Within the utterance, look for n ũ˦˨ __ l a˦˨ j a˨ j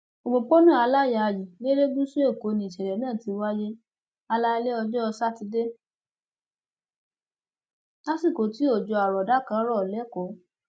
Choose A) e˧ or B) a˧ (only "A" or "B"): B